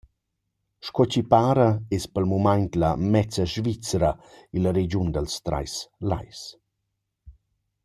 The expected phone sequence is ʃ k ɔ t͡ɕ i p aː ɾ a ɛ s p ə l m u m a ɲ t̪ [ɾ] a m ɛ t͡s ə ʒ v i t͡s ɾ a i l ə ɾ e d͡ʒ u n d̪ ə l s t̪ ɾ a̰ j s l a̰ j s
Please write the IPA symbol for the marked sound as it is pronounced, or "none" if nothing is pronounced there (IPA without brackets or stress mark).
l